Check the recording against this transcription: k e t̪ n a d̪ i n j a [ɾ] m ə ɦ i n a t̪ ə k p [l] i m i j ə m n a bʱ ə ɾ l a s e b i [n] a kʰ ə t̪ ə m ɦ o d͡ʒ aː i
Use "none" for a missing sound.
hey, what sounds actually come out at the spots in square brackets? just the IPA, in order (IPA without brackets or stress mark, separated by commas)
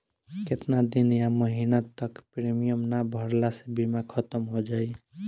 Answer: none, ɾ, m